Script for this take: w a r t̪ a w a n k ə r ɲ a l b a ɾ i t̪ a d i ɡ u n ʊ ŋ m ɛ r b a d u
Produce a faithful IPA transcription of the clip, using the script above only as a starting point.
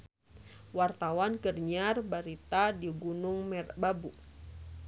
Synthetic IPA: w a r t̪ a w a n k ə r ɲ a r b a ɾ i t̪ a d i ɡ u n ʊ ŋ m ɛ r b a b u